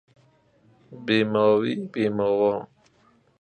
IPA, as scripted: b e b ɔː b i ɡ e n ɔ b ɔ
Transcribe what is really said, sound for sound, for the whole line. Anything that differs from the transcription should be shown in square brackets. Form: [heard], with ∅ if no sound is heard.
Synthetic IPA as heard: b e [m] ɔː [w] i [b] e [m] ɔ [w] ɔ